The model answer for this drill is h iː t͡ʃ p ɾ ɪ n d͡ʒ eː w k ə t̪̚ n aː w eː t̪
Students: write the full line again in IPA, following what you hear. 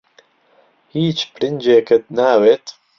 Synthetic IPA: h iː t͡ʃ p ɾ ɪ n d͡ʒ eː k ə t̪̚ n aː w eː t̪